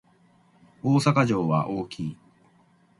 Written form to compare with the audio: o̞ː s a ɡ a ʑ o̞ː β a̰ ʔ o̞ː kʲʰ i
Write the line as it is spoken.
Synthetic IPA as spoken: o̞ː s a k a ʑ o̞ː β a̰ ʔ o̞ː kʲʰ iː